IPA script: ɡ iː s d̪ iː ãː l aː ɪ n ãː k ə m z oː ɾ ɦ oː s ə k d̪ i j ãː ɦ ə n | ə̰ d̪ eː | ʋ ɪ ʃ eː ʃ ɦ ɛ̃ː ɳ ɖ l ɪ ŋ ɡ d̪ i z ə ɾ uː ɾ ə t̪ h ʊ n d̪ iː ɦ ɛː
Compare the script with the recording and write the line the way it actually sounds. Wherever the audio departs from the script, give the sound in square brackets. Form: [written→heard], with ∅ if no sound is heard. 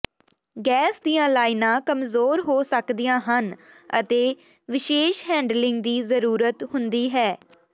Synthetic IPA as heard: ɡ [iː→ɛː] s d̪ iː ãː l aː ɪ n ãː k ə m z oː ɾ ɦ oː s ə k d̪ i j ãː ɦ ə n | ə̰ [d̪→t̪] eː | ʋ ɪ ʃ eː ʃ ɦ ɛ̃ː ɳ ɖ l ɪ ŋ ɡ d̪ [i→iː] z ə ɾ uː ɾ ə t̪ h ʊ n d̪ iː ɦ ɛː